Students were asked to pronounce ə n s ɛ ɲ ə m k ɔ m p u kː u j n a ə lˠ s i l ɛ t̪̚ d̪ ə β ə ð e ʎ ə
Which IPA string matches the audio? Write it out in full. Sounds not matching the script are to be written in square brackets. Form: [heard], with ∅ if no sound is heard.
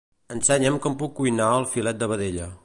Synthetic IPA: ə n s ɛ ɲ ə m k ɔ m p u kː u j n a ə lˠ [f] i l ɛ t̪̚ d̪ ə β ə ð e ʎ ə